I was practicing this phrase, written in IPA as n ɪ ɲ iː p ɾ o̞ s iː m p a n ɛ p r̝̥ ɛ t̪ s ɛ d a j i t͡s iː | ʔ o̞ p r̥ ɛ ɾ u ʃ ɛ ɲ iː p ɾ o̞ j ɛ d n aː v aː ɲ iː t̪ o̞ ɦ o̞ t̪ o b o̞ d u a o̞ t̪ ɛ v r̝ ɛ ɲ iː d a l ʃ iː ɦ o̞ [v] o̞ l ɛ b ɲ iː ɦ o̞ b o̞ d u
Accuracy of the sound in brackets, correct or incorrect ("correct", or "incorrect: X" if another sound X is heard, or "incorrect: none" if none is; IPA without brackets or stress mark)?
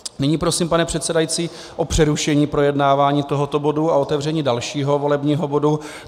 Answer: correct